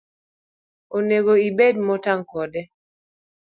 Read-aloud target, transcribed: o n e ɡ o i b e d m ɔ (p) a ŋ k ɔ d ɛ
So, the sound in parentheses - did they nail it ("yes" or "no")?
no